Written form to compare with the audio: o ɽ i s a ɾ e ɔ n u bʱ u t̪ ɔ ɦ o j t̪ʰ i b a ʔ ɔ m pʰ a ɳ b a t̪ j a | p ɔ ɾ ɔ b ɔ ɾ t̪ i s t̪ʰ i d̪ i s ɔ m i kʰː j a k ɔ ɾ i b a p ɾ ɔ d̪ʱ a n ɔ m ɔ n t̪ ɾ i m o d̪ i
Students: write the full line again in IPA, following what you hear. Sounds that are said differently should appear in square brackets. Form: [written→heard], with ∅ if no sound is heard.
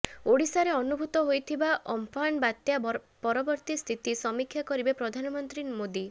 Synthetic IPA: o ɽ i s a ɾ e ɔ n u bʱ u t̪ ɔ ɦ o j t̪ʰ i b a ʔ ɔ m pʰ a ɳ b a t̪ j a | p ɔ ɾ ɔ b ɔ ɾ t̪ i s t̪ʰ i [d̪→t̪] i s ɔ m i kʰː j a k ɔ ɾ i b [a→e] p ɾ ɔ d̪ʱ a n ɔ m ɔ n t̪ ɾ i m o d̪ i